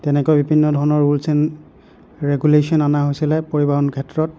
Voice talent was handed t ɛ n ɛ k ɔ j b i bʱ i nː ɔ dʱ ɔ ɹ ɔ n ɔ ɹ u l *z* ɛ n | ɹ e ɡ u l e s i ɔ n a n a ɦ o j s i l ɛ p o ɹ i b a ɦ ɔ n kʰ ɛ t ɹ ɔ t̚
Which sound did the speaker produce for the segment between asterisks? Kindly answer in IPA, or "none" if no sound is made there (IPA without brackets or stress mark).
s